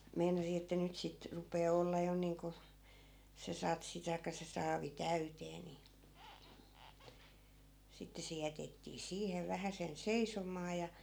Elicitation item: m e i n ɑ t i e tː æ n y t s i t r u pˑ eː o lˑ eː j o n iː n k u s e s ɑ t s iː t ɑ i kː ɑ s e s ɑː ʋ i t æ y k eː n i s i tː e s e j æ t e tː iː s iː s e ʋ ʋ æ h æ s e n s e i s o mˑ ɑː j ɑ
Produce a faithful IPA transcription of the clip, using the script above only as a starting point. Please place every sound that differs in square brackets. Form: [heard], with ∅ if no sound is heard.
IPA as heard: m e i n ɑ [s] i e tː æ n y t s i t r u pˑ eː o lˑ eː j o n iː [ŋ] k u s e s ɑ t s [i] t ɑ i kː ɑ s e s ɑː ʋ i t æ y [t] eː n i s i tː e s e j æ t e tː iː s iː [h] e ʋ ʋ æ h æ s e n s e i s o mˑ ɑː j ɑ

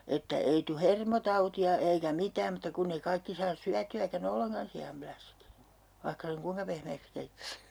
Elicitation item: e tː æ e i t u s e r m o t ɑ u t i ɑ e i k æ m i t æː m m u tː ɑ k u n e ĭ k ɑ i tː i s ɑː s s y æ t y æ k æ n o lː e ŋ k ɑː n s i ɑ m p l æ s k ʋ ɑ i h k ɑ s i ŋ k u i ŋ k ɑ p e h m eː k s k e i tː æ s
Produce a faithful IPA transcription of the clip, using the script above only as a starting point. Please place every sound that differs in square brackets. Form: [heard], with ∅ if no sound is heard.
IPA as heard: e tː æ e i t u [h] e r m o t ɑ u t i ɑ e i k æ m i t æː m m u tː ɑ k u [nː] e ĭ k ɑ i [kː] i s ɑː s s y æ t y æ k æ n o lː e ŋ k [ɑ] n s i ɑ m p l æ s k ʋ ɑ i h k ɑ s [e] ŋ k u i ŋ k ɑ p e h m eː k s k e i tː æ s

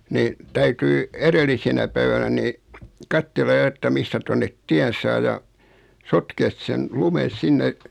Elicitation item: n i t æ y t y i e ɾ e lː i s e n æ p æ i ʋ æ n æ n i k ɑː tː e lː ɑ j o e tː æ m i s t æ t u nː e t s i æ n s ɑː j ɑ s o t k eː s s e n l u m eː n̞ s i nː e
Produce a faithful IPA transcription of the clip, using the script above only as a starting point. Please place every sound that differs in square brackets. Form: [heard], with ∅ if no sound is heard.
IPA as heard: n i t æ y t y i e ɾ e lː i s e n æ p æ i ʋ æ n æ n i k [ɑ] tː e lː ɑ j o e tː æ m i s t æ t [o] nː e t [t] i æ n s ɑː j ɑ s o t k eː s s e n l u m [e] n̞ s i nː e

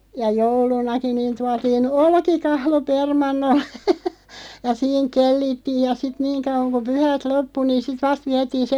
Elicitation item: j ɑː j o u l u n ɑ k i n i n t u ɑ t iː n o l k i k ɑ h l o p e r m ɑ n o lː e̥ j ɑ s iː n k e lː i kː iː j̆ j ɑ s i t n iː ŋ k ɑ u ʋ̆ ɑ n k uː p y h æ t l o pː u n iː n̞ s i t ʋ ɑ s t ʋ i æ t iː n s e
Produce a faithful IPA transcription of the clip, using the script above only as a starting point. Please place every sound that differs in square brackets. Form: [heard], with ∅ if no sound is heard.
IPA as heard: j [ɑ] j o u l u n ɑ k i n [iː] n t u ɑ t iː n o l k i k ɑ h l o p e r m ɑ [nː] o lː e̥ j ɑ s iː [ŋ] k e lː i [tː] iː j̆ j ɑ s i t n iː ŋ k ɑ u ʋ̆ ɑ [ŋ] k [u] p y h æ t l o pː u n iː n̞ s i t ʋ ɑ s t ʋ i æ t iː n s e

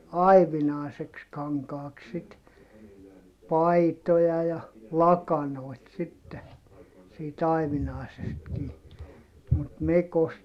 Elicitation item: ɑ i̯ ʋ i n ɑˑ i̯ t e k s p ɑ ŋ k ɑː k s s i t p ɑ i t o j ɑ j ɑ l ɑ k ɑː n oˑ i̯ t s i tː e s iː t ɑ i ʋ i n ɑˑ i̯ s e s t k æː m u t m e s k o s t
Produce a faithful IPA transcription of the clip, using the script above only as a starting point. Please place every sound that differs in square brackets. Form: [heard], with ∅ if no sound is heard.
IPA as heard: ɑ i̯ ʋ i n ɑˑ i̯ [s] e k s [k] ɑ ŋ k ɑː k s s i t p ɑ i t o j ɑ j ɑ l ɑ k [ɑ] n oˑ i̯ t s i tː e s iː t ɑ i ʋ i n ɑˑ i̯ s e s t k [iː] m u t m e [∅] k o s t

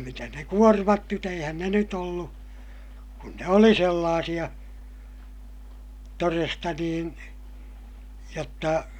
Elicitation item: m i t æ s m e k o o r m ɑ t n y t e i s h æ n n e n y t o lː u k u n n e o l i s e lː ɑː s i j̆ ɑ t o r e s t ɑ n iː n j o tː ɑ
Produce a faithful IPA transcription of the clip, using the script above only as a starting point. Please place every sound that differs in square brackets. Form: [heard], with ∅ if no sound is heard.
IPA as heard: m i t æ s [n] e k [u] o r m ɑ t n y t e i [∅] h æ n n e n y t o lː u k u n n e o l i s e lː ɑː s i j̆ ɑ t o r e s t ɑ n iː n j o tː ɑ

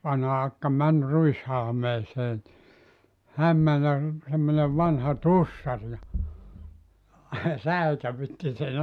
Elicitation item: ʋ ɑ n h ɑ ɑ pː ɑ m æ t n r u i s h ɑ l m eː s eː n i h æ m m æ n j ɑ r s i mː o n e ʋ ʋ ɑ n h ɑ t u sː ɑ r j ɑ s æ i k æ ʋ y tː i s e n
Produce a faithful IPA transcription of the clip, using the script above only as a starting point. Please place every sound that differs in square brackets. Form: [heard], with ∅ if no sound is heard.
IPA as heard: ʋ ɑ n h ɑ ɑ [kː] ɑ m æ [∅] n r u i s h ɑ l m eː s eː n i h æ m m æ n j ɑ r s [e] mː o n e ʋ ʋ ɑ n h ɑ t u sː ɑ r j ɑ s æ i k æ ʋ y tː i s e n

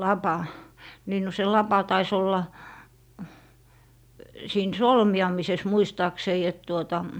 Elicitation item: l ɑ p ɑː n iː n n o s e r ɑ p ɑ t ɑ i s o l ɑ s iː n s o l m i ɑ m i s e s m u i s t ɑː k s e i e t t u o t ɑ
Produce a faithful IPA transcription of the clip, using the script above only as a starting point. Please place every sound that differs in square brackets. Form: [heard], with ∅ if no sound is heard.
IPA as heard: l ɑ p [ɑ] n iː n n o s e [l] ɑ p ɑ t ɑ i s o [lː] ɑ s iː n s o l m i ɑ m i s e s m u i s t ɑː k s e i e t t u o t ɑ

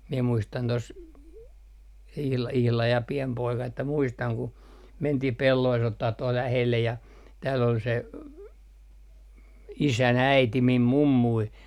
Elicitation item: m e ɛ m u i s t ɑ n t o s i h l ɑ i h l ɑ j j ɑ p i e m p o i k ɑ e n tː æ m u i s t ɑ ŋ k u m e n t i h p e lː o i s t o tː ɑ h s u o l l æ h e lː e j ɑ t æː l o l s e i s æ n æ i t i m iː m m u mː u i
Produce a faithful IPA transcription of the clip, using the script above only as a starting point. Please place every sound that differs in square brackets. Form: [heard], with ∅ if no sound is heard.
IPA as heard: m [i] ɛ m u i s t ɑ n t o s i h l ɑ i h l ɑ j j ɑ p i e m p o i k ɑ e [∅] tː æ m u i s t ɑ ŋ k u m e n t i h p e lː o i s t o tː ɑ h [t] u o l l æ h e lː e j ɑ t æː l o l s e i s æ n æ i t i m [i] m m u mː u i

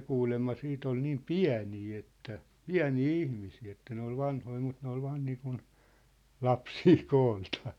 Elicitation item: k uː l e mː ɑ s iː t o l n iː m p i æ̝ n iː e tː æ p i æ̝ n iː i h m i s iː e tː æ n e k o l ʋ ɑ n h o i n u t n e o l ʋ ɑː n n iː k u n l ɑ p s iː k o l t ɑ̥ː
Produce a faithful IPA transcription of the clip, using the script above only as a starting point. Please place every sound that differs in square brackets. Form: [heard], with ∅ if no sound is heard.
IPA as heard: k uː l e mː ɑ s iː t o l n iː m p i æ̝ n iː e tː æ p i æ̝ n iː i h m i s iː e tː æ n e [∅] o l ʋ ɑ n h o i [m] u t n e o l ʋ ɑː n n iː k u n l ɑ p s iː k [oː] l t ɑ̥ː

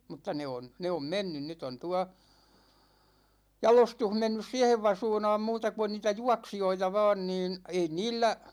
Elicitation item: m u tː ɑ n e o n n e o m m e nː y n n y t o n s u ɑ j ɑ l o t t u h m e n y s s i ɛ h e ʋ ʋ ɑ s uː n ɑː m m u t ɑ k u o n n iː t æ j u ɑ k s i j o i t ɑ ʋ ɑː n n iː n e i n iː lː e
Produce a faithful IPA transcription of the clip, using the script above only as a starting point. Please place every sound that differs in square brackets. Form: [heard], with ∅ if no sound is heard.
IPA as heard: m u tː ɑ n e o n n e o m m e nː y n n y t o n [t] u ɑ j ɑ l o [s] t u h m e [nː] y s s i ɛ h e ʋ ʋ ɑ s uː n ɑː m m [uː] t ɑ k u o n n iː t æ j u ɑ k s i j o i t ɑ ʋ ɑː n n iː n e i n iː lː [æ]

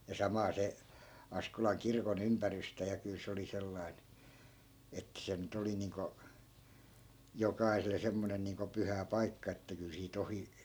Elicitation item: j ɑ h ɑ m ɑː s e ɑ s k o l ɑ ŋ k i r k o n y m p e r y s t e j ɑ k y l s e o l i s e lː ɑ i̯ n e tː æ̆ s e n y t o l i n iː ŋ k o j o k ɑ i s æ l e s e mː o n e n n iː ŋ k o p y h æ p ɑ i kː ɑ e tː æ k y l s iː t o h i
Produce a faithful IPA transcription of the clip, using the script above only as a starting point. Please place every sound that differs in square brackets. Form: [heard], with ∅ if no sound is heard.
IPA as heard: j ɑ [s] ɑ m ɑː s e ɑ s k o l ɑ ŋ k i r k o n y m p [æ] r y s t [æ] j ɑ k y l s e o l i s e lː ɑ i̯ n e tː æ̆ s e n y t o l i n iː ŋ k o j o k ɑ i s [e] l e s e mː o n e n n iː ŋ k o p y h æ p ɑ i kː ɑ e tː æ k y l s iː t o h i

